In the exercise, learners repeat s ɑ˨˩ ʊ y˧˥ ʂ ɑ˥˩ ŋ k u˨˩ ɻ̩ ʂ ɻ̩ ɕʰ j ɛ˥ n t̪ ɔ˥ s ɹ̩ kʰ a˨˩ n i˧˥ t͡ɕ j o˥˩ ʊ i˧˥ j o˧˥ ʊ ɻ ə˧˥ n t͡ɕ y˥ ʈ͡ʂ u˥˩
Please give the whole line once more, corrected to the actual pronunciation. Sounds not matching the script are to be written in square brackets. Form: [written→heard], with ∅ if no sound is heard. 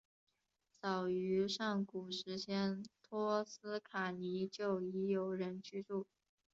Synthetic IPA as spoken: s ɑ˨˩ ʊ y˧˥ ʂ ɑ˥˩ ŋ k u˨˩ [ɻ̩→∅] ʂ ɻ̩ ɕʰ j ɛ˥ n [t̪→t̪ʰ] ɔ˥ s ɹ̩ kʰ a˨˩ n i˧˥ t͡ɕ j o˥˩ ʊ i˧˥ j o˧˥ ʊ ɻ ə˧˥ n t͡ɕ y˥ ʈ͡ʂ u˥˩